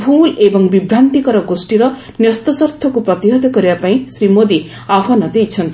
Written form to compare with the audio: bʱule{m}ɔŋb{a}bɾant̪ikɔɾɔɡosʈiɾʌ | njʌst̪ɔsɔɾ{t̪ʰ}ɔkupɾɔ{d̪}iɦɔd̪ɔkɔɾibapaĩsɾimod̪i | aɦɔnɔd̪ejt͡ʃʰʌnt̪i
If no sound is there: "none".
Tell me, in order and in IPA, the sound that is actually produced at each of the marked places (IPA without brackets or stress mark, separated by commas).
b, i, t̪ʰ, t̪